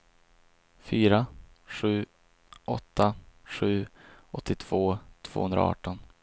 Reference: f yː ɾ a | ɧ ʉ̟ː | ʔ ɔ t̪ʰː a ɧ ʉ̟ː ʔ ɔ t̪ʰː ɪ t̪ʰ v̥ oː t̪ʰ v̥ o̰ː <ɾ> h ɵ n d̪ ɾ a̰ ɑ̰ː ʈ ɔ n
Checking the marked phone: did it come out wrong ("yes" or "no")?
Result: yes